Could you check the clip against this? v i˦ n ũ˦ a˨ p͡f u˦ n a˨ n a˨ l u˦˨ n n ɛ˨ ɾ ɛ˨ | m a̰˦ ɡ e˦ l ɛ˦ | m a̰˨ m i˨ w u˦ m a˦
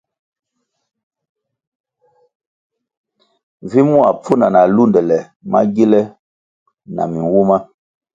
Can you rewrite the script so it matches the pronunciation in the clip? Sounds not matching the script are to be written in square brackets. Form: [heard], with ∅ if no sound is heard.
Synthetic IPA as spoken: v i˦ [m] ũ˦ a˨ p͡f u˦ n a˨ n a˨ l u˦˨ n [d] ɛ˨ [l] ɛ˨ | m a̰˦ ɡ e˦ l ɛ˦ | [n] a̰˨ m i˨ w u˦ m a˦